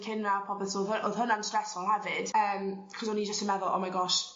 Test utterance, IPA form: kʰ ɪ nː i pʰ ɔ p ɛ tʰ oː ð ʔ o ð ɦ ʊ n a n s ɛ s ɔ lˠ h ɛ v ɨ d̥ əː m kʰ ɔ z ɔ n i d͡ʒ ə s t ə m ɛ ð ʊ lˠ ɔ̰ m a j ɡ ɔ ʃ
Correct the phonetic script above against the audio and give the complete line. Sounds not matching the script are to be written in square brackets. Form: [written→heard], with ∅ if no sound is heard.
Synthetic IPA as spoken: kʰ ɪ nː [i→a] pʰ ɔ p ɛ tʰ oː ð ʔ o ð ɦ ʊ n a n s ɛ s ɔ lˠ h ɛ v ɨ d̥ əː m kʰ ɔ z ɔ n i d͡ʒ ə s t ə m ɛ ð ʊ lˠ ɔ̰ m a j ɡ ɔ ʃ